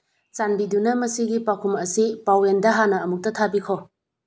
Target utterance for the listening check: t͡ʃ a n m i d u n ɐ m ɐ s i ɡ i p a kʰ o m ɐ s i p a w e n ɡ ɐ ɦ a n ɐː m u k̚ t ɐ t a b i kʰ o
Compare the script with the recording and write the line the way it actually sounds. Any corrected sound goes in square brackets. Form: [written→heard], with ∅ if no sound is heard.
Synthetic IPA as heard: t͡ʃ a n [m→b] i d u n ɐ m ɐ s i ɡ i p a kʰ [o→u] m ɐ s i p a w e n [ɡ→d] ɐ ɦ a n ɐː m u k̚ t ɐ [t→tʰ] a b i kʰ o